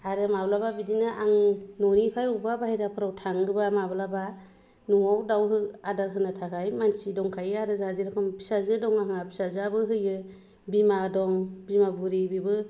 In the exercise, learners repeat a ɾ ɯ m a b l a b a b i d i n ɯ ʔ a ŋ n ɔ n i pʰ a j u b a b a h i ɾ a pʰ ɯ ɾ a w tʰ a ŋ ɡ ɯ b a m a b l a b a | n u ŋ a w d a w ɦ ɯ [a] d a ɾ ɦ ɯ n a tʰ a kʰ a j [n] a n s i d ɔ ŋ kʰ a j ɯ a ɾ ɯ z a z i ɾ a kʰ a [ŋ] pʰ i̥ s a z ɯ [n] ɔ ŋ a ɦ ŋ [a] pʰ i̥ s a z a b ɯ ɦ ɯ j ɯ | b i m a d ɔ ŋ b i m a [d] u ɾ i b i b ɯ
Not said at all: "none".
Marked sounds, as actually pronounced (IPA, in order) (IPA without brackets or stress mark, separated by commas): a, m, m, d, a, b